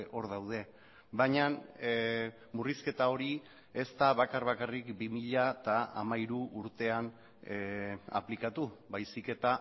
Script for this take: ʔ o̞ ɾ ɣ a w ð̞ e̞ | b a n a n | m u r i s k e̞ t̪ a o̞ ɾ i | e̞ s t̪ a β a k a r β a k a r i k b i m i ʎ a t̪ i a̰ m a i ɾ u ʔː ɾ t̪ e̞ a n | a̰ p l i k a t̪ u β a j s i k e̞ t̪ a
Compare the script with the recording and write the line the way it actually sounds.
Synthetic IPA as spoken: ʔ o̞ ɾ ð a w ð̞ e̞ | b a ɲ a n | m u r i s k e̞ t̪ a o̞ ɾ i | e̞ s t̪ a β a k a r β a k a r i k b i m i ʎ a t̪ a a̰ m a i ɾ u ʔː ɾ t̪ e̞ a n | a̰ p l i k a t̪ u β a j s i k e̞ t̪ a

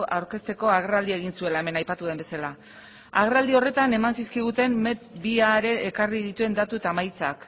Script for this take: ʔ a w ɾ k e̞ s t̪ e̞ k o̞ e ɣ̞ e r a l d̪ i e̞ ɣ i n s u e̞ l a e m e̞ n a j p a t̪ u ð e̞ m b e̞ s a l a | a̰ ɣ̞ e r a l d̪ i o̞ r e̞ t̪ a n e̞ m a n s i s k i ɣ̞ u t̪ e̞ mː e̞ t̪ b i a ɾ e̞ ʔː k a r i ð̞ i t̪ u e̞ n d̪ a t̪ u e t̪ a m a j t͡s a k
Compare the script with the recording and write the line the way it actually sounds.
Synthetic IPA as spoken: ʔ a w ɾ k e̞ s t̪ e̞ k o̞ a ɣ̞ e r a l d̪ i e̞ ɣ i n s u e̞ l a e m e̞ n a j p a t̪ u ð e̞ m b e̞ s a l a | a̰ ɣ̞ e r a l d̪ i o̞ r e̞ t̪ a n e̞ m a n s i s k i ɣ̞ u t̪ e̞ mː e̞ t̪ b i a ɾ e̞ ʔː k a r i ð̞ i t̪ u e̞ n d̪ a t̪ u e t̪ a m a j t͡s a k

